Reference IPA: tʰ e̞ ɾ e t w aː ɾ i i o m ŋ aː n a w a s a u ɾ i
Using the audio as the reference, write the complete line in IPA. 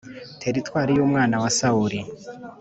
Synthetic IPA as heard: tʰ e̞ ɾ i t w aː ɾ i j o m ŋ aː n a w a s a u ɾ i